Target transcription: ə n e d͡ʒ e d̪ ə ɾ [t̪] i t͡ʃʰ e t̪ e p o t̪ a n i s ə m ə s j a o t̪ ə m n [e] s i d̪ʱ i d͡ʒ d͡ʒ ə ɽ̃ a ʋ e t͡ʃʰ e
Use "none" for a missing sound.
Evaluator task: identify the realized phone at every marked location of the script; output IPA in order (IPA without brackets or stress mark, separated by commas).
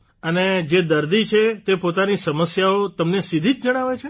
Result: d̪, e